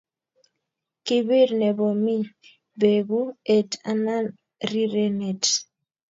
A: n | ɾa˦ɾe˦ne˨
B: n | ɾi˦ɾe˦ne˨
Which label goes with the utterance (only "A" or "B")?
B